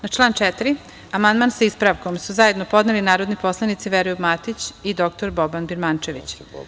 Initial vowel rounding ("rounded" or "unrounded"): unrounded